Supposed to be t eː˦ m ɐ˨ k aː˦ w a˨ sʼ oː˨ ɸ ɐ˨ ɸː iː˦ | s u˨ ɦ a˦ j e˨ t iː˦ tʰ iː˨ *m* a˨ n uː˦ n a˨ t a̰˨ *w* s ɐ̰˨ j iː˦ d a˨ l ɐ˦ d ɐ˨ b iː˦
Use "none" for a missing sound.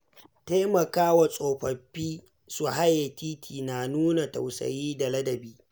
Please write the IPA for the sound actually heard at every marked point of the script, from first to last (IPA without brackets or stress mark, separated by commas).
n, w